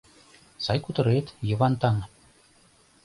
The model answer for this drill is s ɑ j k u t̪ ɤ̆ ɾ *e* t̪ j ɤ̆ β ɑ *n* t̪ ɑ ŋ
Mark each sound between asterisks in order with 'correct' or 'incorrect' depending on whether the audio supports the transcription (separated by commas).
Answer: correct, correct